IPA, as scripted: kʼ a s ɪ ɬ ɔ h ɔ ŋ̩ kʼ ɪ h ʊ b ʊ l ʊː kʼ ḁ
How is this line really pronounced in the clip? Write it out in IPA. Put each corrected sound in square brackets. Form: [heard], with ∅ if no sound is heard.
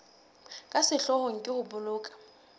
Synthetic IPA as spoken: kʼ a s ɪ ɬ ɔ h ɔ ŋ̩ kʼ ɪ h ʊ b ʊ l ʊː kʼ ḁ